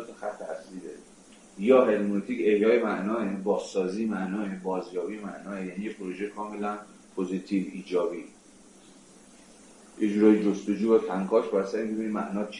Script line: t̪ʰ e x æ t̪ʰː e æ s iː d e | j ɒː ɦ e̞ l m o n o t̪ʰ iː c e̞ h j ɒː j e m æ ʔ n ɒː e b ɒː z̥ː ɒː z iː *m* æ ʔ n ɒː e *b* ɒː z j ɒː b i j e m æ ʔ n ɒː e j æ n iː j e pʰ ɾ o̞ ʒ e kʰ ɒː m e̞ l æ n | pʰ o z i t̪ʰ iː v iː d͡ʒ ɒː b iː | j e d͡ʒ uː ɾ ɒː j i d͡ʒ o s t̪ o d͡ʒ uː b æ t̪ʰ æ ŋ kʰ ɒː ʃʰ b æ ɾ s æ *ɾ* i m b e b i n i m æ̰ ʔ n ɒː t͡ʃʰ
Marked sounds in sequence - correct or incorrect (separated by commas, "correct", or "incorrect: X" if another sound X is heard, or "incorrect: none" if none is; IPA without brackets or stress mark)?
correct, correct, correct